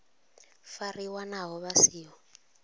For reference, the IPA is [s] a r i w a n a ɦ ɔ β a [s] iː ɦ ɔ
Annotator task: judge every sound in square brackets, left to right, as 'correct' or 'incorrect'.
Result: incorrect: f, correct

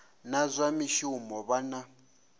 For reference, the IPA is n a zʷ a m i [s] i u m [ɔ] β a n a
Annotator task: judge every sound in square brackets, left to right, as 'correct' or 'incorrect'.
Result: incorrect: ʃ, correct

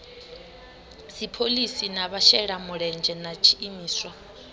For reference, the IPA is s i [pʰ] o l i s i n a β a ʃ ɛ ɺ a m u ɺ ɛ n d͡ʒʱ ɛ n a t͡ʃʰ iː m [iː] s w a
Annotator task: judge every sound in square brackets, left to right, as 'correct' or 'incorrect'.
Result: correct, correct

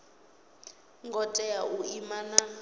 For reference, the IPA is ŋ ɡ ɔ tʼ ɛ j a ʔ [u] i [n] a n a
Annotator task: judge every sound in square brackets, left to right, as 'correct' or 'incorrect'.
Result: correct, incorrect: m

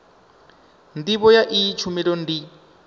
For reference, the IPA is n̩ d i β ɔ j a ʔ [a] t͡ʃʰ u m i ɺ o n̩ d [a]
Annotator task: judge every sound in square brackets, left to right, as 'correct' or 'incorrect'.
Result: incorrect: i, incorrect: i

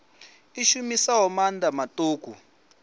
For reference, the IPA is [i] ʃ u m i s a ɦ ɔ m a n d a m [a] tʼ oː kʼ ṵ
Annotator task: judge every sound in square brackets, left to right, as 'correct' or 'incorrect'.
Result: correct, correct

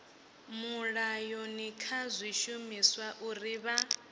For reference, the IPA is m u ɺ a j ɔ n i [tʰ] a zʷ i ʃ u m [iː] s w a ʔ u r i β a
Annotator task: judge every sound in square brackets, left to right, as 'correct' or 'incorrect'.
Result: incorrect: kʰ, incorrect: i

